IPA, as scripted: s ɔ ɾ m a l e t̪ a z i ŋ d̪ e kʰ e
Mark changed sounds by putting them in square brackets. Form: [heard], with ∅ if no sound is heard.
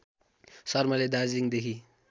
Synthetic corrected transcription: s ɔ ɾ m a l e [d̪] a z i ŋ d̪ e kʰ [i]